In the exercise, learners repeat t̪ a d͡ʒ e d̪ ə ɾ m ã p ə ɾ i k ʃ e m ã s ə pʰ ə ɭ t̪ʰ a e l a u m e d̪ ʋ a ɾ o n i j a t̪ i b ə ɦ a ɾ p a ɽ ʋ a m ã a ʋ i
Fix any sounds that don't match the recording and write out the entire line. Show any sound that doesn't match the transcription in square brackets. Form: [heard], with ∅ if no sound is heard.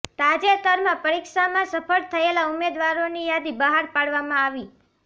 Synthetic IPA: t̪ a d͡ʒ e [t̪] ə ɾ m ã p ə ɾ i k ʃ [a] m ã s ə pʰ ə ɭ t̪ʰ [ə] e l a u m e d̪ ʋ a ɾ o n i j a [d̪] i b ə ɦ a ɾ p a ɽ ʋ a m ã a ʋ i

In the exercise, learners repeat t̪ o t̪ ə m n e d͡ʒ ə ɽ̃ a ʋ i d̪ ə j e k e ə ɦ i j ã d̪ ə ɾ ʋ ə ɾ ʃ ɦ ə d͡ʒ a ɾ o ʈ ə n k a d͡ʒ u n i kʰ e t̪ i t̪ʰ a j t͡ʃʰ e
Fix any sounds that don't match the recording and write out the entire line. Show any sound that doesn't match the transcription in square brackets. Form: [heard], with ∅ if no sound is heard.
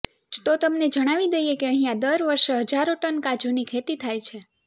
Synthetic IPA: t̪ o t̪ ə m n e d͡ʒ ə ɽ̃ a ʋ i d̪ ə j e k e ə ɦ i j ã d̪ ə ɾ ʋ ə ɾ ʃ ɦ ə d͡ʒ a ɾ o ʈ ə n k a d͡ʒ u n i kʰ e t̪ i t̪ʰ a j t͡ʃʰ e

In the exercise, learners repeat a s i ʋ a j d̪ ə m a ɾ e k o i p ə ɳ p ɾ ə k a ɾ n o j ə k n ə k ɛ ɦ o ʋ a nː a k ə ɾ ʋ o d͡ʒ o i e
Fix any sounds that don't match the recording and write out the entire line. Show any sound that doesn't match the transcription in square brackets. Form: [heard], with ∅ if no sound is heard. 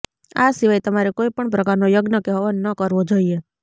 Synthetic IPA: a s i ʋ a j [t̪] ə m a ɾ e k o i p ə ɳ p ɾ ə k a ɾ n o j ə [ɡ] n ə k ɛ ɦ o ʋ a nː [ə] k ə ɾ ʋ o d͡ʒ o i e

